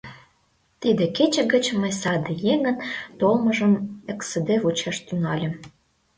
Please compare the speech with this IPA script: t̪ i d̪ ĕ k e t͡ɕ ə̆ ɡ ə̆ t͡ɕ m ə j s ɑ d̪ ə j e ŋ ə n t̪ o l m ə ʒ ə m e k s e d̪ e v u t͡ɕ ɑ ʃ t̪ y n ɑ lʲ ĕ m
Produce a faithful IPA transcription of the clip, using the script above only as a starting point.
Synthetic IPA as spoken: t̪ i d̪ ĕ k e t͡ɕ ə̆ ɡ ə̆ t͡ɕ m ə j s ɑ d̪ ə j e ŋ ə n t̪ o l m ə ʒ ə m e k s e d̪ e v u t͡ɕ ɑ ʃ t̪ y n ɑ lʲ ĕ m